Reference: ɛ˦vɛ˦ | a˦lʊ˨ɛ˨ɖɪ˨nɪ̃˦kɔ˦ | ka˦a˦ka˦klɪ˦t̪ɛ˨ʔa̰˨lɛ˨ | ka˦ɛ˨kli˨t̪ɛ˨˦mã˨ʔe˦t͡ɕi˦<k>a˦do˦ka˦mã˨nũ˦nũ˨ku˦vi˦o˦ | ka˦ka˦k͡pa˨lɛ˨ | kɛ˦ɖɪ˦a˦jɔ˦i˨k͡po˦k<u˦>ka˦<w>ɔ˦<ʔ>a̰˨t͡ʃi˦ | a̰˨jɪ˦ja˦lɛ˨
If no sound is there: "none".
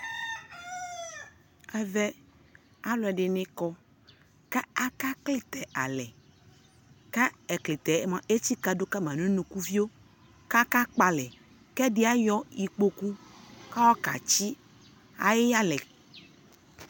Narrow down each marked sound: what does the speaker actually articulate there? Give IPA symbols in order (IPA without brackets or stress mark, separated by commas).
k, u˦, w, k